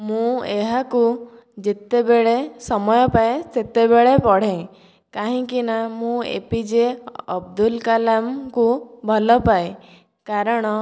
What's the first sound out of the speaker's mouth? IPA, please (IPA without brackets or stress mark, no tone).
m